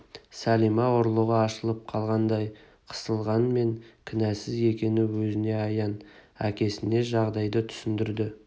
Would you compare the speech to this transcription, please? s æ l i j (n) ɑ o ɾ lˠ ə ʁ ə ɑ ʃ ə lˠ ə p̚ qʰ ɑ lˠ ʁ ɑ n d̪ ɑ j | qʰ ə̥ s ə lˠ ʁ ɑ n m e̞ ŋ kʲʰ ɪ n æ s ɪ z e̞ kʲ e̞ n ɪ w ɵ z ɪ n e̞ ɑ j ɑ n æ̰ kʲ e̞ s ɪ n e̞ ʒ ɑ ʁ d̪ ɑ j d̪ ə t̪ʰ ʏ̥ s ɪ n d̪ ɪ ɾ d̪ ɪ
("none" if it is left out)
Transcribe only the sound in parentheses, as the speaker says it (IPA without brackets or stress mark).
m